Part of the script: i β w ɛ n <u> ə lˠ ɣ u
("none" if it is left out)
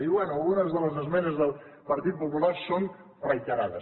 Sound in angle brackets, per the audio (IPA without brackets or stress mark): u